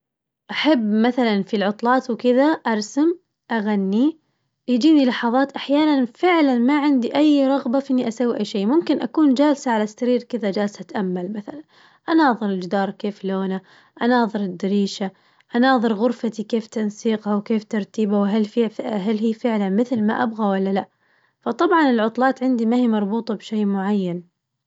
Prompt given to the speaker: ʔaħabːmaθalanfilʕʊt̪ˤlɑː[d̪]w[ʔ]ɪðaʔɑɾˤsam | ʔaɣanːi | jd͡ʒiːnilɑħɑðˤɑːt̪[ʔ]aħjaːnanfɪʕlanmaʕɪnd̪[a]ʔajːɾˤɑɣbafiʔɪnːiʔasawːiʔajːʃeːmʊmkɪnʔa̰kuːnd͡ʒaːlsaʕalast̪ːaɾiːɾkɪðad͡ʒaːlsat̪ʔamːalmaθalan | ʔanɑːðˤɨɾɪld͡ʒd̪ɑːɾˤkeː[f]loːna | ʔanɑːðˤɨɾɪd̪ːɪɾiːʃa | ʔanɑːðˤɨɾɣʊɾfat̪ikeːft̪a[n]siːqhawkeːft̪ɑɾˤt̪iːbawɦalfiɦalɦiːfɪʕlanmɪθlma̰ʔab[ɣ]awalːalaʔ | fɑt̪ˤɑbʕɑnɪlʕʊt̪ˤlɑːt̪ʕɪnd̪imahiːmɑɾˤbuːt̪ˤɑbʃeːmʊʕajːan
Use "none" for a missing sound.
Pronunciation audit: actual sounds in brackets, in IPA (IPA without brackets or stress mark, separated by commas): t̪, k, ʔ, i, f, n, ɣ